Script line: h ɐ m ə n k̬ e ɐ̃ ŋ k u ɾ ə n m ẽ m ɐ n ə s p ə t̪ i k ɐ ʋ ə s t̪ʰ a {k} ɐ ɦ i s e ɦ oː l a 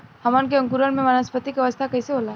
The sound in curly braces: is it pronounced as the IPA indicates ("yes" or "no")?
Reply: yes